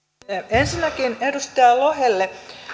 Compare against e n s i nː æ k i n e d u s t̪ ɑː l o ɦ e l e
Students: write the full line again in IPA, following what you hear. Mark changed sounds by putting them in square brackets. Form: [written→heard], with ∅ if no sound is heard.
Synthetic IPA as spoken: e n s i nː æ k i n e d u s t̪ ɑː l o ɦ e [l→lː] e